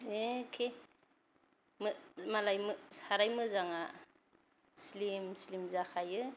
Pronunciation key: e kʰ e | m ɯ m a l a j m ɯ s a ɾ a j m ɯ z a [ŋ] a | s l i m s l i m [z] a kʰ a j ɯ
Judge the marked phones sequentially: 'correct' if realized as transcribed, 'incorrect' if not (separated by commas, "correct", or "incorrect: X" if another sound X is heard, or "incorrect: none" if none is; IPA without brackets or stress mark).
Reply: correct, correct